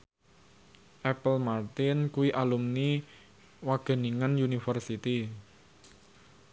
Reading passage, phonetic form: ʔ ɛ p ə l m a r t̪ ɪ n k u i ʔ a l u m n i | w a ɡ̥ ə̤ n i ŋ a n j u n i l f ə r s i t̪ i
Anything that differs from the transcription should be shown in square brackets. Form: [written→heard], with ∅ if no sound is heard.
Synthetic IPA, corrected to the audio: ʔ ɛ p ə l m a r t̪ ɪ n k u i ʔ a l u m n i | w a ɡ̥ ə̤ n i ŋ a n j u n i [l→∅] f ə r s i t̪ i

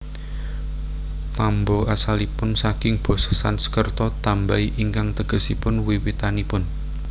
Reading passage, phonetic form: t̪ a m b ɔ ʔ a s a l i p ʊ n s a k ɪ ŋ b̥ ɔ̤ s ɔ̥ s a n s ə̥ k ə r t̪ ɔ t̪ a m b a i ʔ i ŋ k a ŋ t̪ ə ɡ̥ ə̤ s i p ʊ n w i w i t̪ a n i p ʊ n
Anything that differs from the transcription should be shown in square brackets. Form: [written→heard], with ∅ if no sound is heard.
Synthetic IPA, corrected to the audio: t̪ a m b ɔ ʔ a s a l i p ʊ n s a k ɪ ŋ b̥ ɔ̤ s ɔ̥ s a n s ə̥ k ə r t̪ ɔ t̪ a m b a i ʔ i ŋ k a ŋ t̪ ə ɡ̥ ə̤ s i p ʊ n w i w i t̪ a n i p ʊ n

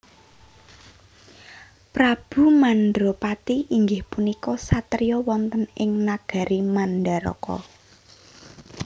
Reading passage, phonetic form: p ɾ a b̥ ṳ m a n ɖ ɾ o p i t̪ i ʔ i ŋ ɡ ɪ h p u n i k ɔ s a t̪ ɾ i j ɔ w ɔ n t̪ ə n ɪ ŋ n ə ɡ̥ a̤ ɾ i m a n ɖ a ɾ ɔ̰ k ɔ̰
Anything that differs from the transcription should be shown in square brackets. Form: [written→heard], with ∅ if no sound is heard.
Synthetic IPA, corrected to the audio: p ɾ a b̥ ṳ m a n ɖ ɾ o p [i→a] t̪ i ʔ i ŋ ɡ ɪ h p u n i k ɔ s a t̪ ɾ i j ɔ w ɔ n t̪ ə n ɪ ŋ n [ə→a] ɡ̥ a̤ ɾ i m a n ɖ a ɾ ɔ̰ k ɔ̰

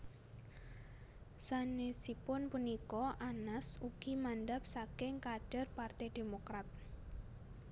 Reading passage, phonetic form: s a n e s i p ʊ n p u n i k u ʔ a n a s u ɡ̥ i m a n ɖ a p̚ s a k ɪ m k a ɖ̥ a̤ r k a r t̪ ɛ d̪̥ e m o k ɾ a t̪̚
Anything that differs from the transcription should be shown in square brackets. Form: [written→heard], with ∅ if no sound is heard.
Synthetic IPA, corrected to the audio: s a n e s i p ʊ n p u n i k [u→ɔ] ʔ a n a s u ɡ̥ i m a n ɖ a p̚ s a k ɪ [m→ŋ] k a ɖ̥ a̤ r [k→p] a r t̪ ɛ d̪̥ e m o k ɾ a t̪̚

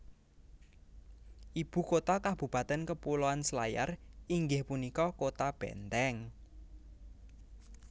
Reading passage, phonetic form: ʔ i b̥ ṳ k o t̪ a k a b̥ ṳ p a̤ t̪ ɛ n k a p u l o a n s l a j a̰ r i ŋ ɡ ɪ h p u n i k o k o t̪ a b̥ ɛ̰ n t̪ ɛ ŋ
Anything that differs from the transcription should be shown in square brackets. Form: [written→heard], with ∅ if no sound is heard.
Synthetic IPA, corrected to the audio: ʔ i b̥ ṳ k o t̪ a k a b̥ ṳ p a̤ t̪ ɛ n k [a→ə] p u l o a n s l a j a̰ r i ŋ ɡ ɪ h p u n i k [o→ɔ] k o t̪ a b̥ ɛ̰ n t̪ ɛ ŋ

